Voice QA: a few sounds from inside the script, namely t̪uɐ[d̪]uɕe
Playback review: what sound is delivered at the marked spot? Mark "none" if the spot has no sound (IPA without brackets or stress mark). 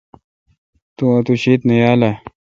t̪